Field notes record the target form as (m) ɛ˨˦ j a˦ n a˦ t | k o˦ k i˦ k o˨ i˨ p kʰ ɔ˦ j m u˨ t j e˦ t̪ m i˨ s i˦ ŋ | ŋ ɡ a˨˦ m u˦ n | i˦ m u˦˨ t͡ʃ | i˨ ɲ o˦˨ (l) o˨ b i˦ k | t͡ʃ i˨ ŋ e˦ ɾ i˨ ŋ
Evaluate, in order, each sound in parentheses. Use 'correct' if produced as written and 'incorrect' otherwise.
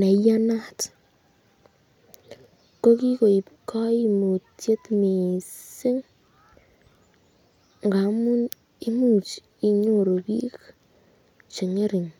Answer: incorrect, incorrect

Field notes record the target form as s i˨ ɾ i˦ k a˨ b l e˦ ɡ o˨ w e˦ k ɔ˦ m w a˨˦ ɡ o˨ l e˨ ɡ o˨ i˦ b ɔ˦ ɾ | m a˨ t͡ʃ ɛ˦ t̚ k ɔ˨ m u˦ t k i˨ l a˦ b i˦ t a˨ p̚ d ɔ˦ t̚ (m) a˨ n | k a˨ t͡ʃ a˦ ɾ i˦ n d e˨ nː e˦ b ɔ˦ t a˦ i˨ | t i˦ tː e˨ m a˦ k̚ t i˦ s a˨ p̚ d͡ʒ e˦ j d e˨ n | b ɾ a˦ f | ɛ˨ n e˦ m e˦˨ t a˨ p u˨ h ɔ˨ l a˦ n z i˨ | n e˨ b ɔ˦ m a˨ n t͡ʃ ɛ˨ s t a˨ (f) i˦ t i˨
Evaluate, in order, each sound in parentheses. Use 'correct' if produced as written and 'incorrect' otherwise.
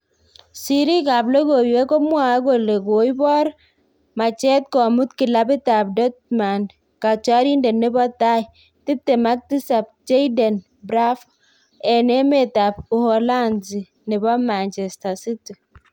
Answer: correct, incorrect

